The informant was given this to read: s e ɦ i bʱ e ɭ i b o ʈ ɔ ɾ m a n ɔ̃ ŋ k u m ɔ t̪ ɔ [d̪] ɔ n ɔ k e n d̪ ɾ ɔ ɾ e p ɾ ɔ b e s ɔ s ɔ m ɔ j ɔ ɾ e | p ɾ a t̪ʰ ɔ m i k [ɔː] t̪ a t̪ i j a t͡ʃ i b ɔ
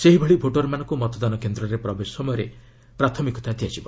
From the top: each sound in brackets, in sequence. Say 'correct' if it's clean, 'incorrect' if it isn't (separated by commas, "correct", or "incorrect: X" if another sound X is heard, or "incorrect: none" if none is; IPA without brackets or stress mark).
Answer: correct, incorrect: ɔ